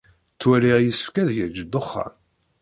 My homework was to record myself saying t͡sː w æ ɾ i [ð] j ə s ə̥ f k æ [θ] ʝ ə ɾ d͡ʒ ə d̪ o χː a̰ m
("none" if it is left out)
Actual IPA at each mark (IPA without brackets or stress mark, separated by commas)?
ʁ, ð